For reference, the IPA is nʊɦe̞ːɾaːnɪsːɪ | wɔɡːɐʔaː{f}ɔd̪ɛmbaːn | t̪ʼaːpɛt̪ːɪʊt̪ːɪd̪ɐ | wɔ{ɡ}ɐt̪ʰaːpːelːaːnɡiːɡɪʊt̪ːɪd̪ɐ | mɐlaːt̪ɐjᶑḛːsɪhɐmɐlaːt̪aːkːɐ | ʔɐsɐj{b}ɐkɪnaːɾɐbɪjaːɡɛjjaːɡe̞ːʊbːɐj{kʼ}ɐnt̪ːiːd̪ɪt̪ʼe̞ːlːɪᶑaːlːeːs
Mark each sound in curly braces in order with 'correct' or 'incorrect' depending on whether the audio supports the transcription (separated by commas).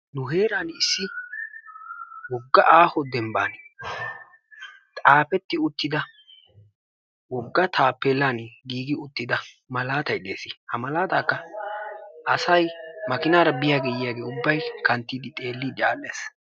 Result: incorrect, incorrect, incorrect, incorrect